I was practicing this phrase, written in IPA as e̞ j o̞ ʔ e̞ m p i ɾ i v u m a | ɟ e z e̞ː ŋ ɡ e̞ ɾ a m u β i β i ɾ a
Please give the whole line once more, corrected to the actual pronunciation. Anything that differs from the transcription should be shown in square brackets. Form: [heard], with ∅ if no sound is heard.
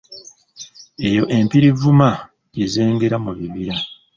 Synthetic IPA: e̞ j o̞ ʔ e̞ m p i ɾ i v u m a | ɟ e z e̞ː ŋ ɡ e̞ ɾ a m u β i β i ɾ a